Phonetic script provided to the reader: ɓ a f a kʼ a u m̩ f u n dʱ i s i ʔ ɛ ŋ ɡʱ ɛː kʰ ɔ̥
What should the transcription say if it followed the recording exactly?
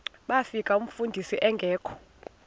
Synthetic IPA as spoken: ɓ a f i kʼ a u m̩ f u n dʱ i s i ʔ ɛ ŋ ɡʱ ɛː kʰ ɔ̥